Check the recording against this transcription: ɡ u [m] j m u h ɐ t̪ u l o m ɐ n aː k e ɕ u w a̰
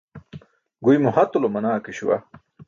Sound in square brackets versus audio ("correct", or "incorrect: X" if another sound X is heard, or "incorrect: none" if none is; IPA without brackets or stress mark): incorrect: none